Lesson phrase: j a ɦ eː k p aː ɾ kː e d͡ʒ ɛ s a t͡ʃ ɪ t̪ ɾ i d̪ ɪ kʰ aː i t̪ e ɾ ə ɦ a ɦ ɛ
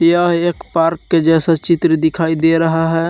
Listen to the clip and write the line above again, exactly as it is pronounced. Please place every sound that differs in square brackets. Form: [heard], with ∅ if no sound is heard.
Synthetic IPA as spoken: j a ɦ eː k p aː ɾ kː e d͡ʒ ɛ s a t͡ʃ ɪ t̪ ɾ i d̪ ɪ kʰ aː i [d̪] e ɾ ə ɦ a ɦ ɛ